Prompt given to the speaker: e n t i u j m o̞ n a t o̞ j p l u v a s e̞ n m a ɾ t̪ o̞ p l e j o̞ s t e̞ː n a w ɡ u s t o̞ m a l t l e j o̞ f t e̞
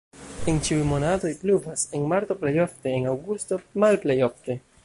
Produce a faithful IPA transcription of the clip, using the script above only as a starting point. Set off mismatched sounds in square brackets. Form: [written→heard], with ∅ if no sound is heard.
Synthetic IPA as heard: e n [t→t͡ʃ] i u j m o̞ n a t o̞ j p l u v a s e̞ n m a ɾ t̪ o̞ p l e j o̞ [s→f] t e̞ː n a w ɡ u s t o̞ m a l [t→p] l e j o̞ f t e̞